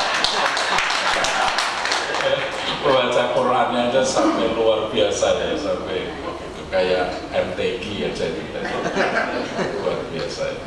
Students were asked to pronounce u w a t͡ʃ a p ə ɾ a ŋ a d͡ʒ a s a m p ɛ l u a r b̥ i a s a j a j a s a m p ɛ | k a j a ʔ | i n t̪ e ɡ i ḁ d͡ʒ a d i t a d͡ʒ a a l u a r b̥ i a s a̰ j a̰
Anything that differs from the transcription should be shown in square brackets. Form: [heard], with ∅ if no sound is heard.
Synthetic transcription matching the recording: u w a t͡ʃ a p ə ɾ a [n] a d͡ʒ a s a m p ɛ l u a r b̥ i a s a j a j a s a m p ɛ | k a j a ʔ | [ɛ] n t̪ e ɡ i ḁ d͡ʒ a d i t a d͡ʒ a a l u a r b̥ i a s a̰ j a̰